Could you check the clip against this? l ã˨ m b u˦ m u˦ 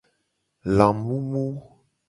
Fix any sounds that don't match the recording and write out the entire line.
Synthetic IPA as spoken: l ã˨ m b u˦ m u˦